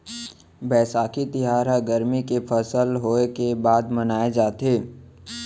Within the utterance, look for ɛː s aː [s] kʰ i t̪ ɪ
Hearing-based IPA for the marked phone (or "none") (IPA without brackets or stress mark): none